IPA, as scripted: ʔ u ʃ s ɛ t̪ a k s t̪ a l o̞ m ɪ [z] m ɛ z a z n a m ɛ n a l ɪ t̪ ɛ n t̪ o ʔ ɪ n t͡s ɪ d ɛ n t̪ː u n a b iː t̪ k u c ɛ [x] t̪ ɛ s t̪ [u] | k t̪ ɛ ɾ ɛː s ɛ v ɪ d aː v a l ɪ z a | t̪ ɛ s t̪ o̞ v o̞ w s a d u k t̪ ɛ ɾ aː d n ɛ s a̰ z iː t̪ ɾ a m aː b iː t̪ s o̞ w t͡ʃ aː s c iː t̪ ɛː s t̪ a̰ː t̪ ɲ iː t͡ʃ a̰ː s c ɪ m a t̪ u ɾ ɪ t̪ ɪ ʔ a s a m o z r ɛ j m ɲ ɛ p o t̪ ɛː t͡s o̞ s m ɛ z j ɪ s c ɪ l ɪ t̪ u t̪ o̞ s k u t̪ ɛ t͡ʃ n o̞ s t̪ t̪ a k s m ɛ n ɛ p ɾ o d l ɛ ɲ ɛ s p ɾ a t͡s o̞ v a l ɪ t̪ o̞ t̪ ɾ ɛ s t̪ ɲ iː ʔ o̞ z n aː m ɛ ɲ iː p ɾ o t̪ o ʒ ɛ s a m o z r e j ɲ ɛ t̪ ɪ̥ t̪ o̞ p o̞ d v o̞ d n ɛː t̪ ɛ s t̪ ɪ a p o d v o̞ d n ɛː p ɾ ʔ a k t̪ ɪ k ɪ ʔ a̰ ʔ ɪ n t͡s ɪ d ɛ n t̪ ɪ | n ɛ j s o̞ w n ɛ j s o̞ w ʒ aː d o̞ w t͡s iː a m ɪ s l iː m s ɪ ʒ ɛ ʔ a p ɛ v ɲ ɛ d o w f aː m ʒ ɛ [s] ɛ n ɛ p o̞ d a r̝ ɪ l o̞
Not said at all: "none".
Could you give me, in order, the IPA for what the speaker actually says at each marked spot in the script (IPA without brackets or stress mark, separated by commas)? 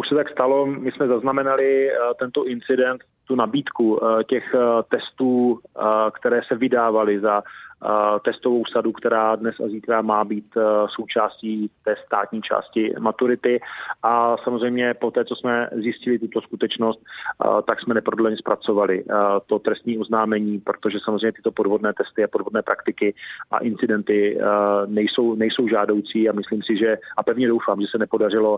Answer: s, x, uː, s